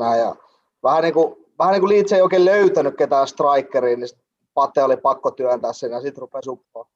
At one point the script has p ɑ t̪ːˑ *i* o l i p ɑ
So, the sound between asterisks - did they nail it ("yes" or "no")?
no